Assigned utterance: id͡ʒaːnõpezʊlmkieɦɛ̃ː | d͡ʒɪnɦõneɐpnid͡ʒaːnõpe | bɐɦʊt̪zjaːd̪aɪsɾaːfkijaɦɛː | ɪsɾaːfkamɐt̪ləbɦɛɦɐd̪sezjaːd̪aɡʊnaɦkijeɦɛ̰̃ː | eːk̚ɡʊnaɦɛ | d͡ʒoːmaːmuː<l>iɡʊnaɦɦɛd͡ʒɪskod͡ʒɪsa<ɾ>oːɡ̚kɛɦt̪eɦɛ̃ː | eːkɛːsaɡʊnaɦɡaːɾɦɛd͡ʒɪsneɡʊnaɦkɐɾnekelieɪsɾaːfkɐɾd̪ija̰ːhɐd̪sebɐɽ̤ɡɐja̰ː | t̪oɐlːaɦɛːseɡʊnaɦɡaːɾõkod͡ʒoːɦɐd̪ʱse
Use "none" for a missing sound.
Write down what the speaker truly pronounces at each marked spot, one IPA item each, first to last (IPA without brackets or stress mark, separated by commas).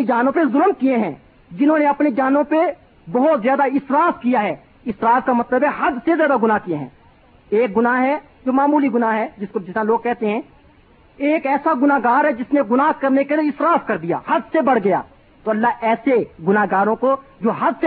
l, l